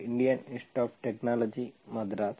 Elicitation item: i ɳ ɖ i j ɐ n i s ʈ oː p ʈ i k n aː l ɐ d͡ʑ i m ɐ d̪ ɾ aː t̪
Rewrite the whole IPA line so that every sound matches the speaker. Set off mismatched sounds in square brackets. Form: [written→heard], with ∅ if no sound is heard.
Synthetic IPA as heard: i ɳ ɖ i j ɐ n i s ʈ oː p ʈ [i→e] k n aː l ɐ d͡ʑ i m ɐ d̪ ɾ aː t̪